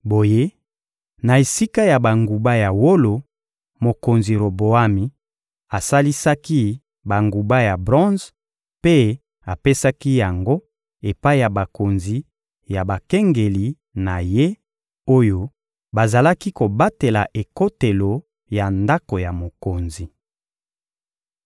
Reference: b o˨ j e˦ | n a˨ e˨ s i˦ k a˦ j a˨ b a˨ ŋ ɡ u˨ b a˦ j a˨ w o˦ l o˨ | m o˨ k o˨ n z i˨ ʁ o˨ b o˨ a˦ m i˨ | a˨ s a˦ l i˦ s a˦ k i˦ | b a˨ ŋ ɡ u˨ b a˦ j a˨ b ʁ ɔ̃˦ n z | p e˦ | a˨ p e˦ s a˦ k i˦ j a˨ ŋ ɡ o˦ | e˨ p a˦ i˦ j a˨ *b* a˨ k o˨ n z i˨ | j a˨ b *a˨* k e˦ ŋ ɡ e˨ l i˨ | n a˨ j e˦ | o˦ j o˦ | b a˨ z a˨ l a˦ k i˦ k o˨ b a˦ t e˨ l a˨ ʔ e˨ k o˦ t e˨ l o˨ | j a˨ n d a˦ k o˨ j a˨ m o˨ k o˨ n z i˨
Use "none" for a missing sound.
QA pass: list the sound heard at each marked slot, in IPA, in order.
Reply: b, a˨

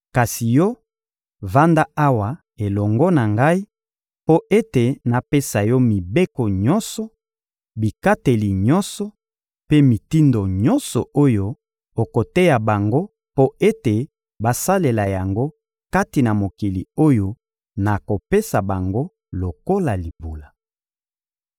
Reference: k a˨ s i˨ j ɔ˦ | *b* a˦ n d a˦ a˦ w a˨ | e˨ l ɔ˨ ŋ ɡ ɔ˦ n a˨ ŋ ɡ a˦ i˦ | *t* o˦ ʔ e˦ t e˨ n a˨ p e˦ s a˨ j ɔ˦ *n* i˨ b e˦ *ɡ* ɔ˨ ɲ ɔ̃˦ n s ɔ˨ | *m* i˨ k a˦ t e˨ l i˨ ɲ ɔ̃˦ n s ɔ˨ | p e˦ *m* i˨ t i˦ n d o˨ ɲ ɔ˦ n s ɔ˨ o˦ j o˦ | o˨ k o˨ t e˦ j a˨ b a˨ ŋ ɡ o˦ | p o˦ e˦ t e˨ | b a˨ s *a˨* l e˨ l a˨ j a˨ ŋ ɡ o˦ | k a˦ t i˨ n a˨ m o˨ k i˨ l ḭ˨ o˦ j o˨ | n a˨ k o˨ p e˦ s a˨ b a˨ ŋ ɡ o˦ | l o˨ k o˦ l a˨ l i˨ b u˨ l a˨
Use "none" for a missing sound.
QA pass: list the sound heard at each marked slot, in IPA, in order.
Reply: v, p, m, k, b, m, a˦

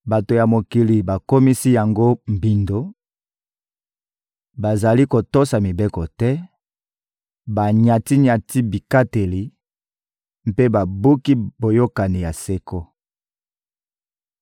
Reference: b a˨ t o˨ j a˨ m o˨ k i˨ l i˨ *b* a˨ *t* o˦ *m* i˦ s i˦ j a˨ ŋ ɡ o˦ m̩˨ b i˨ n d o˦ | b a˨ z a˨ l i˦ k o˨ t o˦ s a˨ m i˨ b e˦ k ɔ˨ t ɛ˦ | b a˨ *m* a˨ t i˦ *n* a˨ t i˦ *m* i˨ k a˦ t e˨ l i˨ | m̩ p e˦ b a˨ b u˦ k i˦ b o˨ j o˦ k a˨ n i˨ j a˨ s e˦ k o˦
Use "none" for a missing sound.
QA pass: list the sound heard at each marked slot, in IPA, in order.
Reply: b, k, m, ɲ, ɲ, b

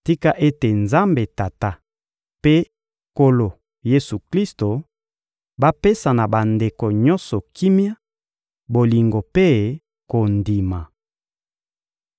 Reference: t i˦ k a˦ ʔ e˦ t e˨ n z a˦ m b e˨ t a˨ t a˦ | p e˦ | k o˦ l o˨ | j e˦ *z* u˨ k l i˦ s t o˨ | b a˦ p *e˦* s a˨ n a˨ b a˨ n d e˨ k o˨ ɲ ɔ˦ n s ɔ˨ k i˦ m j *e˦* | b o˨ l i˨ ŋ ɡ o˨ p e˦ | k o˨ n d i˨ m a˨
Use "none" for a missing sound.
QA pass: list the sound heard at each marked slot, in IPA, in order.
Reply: s, e˦, a˦

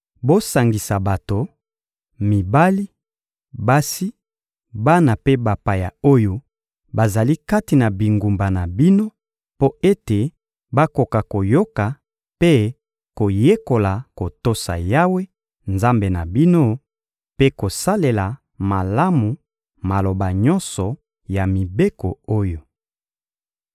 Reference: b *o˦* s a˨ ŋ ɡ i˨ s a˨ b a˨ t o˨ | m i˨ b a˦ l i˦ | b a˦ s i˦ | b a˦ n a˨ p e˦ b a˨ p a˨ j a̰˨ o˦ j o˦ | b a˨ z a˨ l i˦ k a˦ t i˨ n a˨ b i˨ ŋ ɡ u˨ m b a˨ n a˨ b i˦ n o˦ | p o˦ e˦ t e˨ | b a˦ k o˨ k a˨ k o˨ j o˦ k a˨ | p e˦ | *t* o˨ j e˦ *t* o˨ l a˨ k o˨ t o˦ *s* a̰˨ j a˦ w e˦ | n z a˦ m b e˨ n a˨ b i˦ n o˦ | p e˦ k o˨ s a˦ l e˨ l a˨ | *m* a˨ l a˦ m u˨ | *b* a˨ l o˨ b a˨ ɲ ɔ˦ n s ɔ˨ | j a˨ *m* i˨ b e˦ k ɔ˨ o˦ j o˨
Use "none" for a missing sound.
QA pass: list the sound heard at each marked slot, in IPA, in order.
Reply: o˦, k, k, s, m, m, m

